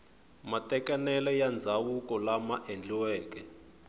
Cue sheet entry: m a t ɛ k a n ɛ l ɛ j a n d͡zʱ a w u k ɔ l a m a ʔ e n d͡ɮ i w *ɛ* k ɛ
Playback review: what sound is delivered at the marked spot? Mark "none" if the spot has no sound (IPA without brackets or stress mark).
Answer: ɛː